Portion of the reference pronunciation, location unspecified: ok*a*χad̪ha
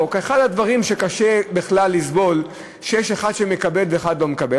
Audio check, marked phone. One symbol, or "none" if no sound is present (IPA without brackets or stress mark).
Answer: e